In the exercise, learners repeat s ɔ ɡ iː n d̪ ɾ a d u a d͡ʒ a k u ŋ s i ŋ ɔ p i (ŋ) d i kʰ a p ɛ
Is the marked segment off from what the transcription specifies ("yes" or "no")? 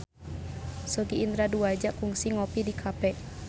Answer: yes